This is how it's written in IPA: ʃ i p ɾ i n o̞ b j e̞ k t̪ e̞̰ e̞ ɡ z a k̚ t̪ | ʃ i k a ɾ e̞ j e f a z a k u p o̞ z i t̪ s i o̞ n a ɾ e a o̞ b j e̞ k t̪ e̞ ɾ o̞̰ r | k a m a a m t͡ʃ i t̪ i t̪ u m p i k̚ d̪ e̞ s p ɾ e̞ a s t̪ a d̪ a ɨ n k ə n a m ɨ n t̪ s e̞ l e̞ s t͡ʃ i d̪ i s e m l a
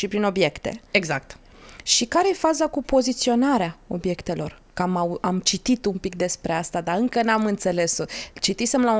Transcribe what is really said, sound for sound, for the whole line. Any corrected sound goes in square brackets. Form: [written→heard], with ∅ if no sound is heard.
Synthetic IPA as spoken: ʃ i p ɾ i n o̞ b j e̞ k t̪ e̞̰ e̞ ɡ z a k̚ t̪ | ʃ i k a ɾ e̞ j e f a z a k u p o̞ z i t̪ s i o̞ n a ɾ e a o̞ b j e̞ k t̪ e̞ [ɾ→l] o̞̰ r | k a m a a m t͡ʃ i t̪ i t̪ u m p i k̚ d̪ e̞ s p ɾ e̞ a s t̪ a d̪ a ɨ [n→ŋ] k ə n a m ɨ n t̪ s e̞ l e̞ s t͡ʃ i [d̪→t̪] i s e m l a